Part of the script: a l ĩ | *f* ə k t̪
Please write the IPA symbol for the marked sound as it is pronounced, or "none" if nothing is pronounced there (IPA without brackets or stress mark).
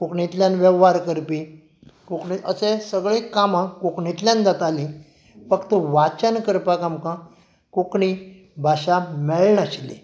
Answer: f